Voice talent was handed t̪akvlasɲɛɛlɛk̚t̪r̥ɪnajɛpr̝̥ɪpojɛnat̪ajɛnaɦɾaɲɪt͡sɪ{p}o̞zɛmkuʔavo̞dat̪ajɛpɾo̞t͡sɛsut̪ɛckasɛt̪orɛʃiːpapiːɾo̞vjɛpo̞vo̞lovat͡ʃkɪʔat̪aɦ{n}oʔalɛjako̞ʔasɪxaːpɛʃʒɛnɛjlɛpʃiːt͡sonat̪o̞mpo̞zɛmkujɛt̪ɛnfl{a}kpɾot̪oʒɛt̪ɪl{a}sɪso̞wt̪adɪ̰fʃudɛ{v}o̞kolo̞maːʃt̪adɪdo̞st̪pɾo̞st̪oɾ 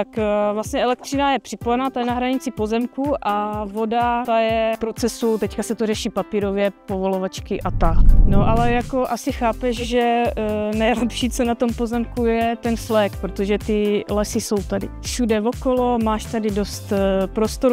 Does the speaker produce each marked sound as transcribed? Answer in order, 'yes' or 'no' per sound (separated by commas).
yes, yes, no, no, yes